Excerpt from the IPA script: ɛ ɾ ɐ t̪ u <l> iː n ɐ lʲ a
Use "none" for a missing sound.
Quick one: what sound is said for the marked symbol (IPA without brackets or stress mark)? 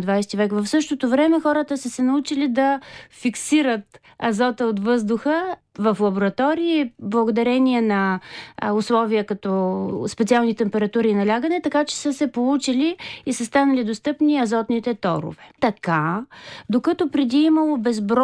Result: ɾ